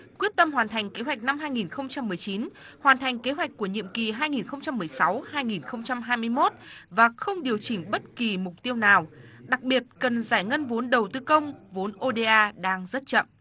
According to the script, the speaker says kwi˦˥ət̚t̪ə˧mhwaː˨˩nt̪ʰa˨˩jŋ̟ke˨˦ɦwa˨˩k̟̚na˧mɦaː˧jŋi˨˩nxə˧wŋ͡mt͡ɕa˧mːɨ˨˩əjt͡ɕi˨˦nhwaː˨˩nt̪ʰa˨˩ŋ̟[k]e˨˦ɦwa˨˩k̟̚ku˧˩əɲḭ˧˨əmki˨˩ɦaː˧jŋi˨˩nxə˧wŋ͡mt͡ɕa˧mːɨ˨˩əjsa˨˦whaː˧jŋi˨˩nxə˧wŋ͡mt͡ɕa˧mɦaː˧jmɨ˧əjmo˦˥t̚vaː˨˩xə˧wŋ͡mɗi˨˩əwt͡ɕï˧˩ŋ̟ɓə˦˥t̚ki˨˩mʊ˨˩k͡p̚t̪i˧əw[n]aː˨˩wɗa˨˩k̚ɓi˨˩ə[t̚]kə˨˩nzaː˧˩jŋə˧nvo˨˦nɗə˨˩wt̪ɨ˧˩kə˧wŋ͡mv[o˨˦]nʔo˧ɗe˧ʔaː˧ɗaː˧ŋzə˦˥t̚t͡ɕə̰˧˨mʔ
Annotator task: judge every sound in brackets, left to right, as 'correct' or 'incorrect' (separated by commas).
correct, correct, correct, correct